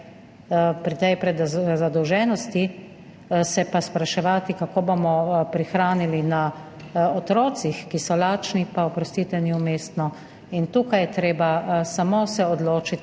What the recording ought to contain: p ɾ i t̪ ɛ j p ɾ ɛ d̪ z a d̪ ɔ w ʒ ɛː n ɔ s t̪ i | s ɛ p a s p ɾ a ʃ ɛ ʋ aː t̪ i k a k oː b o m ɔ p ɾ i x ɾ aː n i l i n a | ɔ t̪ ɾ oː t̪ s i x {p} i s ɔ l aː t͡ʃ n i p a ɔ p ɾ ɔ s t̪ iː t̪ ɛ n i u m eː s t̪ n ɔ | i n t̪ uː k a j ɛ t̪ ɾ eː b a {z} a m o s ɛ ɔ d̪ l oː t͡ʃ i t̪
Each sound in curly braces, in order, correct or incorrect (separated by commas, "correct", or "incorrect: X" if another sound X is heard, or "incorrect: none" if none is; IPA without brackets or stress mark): incorrect: k, incorrect: s